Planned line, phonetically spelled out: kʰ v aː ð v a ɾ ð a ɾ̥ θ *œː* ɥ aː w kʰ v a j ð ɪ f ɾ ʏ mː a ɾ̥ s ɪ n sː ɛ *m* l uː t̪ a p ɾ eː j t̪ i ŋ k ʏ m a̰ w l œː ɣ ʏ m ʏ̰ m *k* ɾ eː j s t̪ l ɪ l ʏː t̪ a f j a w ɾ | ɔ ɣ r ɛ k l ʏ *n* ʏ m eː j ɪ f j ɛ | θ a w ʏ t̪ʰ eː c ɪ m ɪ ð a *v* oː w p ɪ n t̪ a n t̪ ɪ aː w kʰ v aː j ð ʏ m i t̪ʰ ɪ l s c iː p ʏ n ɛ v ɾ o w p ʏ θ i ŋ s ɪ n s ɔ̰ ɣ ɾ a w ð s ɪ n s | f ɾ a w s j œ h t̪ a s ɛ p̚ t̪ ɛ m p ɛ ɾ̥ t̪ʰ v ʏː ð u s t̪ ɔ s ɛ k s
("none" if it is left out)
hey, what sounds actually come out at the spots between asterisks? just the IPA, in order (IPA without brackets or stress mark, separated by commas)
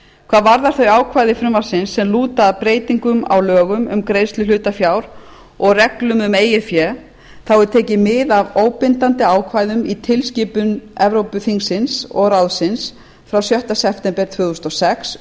œ, m, k, m, v